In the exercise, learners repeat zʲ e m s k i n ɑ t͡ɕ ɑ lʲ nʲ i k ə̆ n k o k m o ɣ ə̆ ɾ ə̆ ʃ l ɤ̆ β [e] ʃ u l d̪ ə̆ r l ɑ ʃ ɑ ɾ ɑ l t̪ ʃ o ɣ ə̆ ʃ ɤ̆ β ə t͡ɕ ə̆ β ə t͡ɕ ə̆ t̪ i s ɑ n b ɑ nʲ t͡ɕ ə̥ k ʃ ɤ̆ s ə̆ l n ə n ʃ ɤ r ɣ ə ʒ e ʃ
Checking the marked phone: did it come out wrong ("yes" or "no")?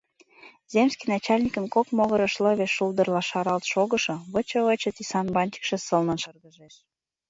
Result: no